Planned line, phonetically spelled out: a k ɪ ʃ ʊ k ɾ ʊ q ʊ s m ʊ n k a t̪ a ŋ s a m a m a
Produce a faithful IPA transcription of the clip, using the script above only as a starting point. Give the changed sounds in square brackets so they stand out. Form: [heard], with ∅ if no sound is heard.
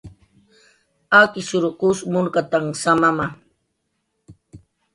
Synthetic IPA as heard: a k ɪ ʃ ʊ [∅] ɾ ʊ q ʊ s m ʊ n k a t̪ a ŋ s a m a m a